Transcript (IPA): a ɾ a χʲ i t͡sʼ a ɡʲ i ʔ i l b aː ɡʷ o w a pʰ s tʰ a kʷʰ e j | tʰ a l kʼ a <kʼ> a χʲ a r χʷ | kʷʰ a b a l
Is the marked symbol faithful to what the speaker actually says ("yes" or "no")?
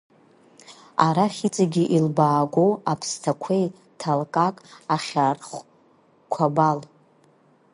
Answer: yes